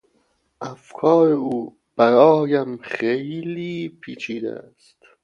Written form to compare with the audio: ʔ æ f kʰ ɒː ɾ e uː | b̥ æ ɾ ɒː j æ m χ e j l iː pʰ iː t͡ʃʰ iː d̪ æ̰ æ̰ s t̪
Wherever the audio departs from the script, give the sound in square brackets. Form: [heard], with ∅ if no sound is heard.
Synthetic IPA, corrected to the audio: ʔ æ f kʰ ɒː ɾ e uː | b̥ æ ɾ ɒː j æ m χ e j l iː pʰ iː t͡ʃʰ iː d̪ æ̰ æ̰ s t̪